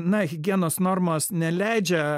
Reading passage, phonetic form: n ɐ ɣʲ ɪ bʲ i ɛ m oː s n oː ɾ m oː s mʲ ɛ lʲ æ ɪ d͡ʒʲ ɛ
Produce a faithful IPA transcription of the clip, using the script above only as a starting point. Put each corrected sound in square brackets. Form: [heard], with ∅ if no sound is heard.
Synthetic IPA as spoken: n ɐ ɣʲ ɪ [ɡʲ] i ɛ [n] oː s n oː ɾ m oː s [nʲ] ɛ lʲ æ ɪ d͡ʒʲ ɛ